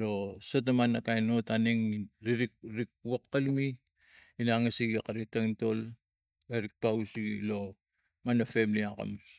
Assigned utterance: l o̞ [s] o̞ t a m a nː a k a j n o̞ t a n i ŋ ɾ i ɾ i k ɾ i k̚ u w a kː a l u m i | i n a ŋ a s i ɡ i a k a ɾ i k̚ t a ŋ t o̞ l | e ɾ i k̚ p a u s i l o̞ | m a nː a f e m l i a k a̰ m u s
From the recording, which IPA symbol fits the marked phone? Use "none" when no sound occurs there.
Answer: s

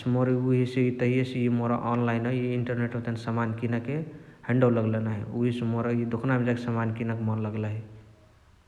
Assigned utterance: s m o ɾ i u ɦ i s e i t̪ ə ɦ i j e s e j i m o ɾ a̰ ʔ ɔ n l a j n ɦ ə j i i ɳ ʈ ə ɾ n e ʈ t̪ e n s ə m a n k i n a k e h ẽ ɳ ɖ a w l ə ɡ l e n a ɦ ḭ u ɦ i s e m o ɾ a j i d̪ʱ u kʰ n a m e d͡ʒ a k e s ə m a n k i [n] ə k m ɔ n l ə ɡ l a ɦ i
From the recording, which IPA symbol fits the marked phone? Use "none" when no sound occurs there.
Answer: n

